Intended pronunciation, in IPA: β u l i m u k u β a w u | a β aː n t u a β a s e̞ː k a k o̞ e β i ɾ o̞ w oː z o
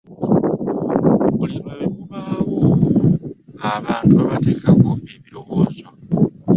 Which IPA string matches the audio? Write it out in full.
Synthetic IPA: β u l i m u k u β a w o | a β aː n t u a β a t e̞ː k a k o̞ e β i ɾ o̞ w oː z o